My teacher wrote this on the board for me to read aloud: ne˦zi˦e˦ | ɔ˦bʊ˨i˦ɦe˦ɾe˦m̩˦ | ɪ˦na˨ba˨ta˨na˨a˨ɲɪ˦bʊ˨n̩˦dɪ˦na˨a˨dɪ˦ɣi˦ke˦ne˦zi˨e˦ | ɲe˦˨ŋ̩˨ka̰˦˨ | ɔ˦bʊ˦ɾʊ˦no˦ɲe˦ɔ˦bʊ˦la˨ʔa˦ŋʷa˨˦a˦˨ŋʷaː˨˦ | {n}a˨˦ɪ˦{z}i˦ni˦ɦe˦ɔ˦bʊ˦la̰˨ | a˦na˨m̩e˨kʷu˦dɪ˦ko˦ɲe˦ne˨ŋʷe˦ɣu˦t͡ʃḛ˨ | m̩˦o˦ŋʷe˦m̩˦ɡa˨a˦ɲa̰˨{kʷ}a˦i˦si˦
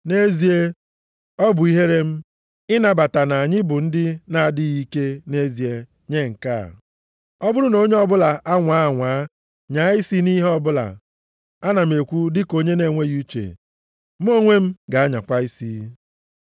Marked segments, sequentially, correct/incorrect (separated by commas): incorrect, incorrect, correct